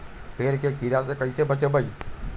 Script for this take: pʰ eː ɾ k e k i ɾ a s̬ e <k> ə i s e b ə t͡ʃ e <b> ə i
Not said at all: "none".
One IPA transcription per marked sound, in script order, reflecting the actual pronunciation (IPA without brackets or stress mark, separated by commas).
k, b